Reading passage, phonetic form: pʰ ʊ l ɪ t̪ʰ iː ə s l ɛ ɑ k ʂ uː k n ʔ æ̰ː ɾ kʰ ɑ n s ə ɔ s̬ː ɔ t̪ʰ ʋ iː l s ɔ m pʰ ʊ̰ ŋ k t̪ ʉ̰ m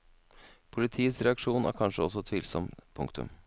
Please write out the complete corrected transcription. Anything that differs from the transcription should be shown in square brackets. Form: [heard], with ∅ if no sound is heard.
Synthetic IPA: pʰ ʊ l ɪ t̪ʰ iː ə s [ɾ] ɛ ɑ k ʂ uː [∅] n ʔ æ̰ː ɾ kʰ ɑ n [ʂ] ə ɔ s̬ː ɔ t̪ʰ ʋ iː l s ɔ m pʰ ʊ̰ ŋ k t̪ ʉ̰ m